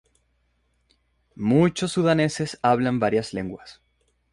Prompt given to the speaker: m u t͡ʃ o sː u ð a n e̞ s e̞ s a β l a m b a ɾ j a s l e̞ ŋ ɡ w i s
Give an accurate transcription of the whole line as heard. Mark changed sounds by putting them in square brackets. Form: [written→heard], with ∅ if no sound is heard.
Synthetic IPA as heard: m u t͡ʃ o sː u ð a n e̞ s e̞ s a β l a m b a ɾ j a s l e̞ ŋ ɡ w [i→a] s

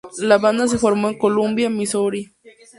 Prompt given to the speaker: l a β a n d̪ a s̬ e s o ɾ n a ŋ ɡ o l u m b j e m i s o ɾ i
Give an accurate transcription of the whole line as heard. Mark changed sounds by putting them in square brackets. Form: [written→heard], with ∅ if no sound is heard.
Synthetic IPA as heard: l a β a n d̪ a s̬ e [s→f] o ɾ [n→m] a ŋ [ɡ→k] o l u m b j [e→a] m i s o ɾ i

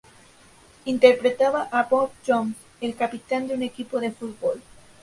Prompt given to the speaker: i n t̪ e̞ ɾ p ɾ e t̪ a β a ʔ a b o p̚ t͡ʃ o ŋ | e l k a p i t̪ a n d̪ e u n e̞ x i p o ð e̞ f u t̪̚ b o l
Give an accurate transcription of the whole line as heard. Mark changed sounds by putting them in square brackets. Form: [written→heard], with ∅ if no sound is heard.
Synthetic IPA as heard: i n t̪ e̞ ɾ p ɾ e t̪ a β a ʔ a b o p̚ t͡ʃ o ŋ | e l k a p i t̪ a n d̪ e u n e̞ [x→k] i p o ð e̞ f u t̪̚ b o l

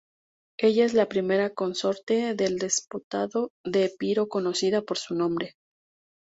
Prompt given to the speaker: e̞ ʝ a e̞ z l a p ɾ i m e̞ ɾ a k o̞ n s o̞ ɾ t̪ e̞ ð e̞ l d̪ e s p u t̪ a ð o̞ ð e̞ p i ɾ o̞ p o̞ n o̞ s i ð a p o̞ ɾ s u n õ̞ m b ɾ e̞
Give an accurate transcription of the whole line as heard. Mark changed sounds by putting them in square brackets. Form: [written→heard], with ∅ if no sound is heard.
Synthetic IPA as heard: e̞ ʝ a e̞ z l a p ɾ i m e̞ ɾ a k o̞ n s o̞ ɾ t̪ e̞ ð e̞ l d̪ e s p u t̪ a ð o̞ ð e̞ p i ɾ o̞ [p→k] o̞ n o̞ s i ð a p o̞ ɾ s u n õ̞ m b ɾ e̞

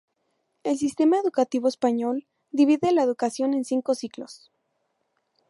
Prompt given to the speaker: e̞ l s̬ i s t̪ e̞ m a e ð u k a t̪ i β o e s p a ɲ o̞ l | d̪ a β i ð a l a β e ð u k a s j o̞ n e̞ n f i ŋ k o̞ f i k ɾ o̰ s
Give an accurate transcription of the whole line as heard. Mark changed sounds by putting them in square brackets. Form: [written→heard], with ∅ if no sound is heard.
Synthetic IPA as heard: e̞ l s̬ i s t̪ e̞ m a e ð u k a t̪ i β o e s p a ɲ o̞ l | d̪ [a→i] β i ð [a→e] l a [β→∅] e ð u k a s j o̞ n e̞ n [f→s] i ŋ k o̞ [f→s] i k [ɾ→l] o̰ s

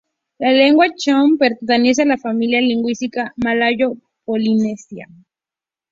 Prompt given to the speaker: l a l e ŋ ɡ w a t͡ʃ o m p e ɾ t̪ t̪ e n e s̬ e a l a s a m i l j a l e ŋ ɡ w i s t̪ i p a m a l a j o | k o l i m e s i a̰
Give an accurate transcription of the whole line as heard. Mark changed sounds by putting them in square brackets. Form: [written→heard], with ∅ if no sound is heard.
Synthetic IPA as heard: l a l e ŋ ɡ w a t͡ʃ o m p e ɾ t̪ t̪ e n e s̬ e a l a [s→f] a m i l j a l [e→i] ŋ ɡ w i s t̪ i [p→k] a m a l a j o | [k→p] o l i [m→n] e s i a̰

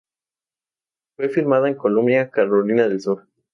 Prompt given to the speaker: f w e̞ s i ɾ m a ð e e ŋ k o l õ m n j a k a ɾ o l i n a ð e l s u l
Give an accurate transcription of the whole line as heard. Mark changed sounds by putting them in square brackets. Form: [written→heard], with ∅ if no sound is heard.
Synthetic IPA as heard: f w e̞ [s→f] i ɾ m a ð [e→a] e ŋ k o l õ m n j a k a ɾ o l i n a ð e l s u [l→ɾ]

